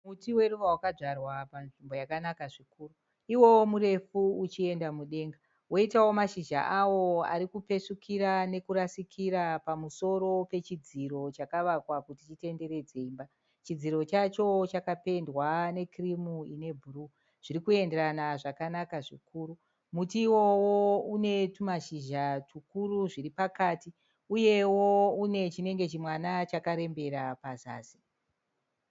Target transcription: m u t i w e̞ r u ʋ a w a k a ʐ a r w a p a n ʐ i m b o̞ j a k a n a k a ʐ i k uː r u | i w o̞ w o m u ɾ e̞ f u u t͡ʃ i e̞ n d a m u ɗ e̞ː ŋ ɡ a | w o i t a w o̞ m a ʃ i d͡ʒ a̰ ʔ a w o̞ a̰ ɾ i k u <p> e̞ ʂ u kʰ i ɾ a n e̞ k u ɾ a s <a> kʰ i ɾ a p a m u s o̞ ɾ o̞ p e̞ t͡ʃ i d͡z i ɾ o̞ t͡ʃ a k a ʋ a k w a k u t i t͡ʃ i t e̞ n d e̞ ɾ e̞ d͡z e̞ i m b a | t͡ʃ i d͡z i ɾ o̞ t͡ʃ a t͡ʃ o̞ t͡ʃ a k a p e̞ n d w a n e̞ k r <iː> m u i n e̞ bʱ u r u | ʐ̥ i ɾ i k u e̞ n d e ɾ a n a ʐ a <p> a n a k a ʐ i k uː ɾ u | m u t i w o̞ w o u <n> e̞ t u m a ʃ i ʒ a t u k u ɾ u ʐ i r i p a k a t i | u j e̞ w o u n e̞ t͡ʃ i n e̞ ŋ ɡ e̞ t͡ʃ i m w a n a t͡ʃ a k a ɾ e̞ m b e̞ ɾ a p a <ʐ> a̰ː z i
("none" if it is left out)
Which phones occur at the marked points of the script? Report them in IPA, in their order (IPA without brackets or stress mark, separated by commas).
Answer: p, i, i, k, n, z